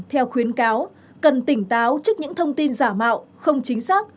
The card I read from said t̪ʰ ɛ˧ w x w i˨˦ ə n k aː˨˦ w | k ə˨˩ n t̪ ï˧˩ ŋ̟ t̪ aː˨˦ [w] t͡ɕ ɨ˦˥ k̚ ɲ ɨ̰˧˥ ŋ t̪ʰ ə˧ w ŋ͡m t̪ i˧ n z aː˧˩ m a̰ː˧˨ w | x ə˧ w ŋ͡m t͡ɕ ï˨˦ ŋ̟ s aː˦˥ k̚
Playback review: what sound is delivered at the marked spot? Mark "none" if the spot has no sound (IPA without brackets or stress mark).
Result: w